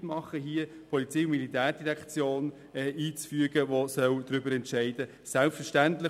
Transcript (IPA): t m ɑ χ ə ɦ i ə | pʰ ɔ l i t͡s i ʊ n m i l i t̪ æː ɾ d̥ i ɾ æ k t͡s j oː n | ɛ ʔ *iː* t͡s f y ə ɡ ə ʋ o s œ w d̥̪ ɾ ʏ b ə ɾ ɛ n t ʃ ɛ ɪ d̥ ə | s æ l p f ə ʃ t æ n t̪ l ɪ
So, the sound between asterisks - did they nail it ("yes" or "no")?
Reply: yes